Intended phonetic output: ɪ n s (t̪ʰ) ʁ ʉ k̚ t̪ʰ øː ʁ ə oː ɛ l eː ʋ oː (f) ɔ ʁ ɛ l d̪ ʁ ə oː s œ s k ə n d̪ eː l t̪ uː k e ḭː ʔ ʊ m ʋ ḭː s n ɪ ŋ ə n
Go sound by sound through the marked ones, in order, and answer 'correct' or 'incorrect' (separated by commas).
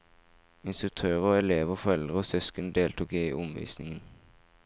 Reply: incorrect, correct